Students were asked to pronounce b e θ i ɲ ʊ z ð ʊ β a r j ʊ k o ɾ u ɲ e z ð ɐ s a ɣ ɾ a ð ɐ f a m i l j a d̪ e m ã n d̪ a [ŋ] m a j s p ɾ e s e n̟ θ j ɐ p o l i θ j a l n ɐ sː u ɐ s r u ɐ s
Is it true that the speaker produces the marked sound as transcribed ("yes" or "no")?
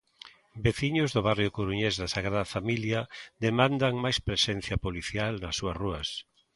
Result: yes